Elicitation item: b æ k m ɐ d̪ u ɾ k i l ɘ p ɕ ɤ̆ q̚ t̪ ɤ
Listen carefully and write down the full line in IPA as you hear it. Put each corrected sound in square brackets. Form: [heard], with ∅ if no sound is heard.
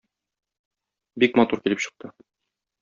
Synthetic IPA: b [i] k m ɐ [t̪] u ɾ k i l ɘ p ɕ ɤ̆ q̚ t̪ ɤ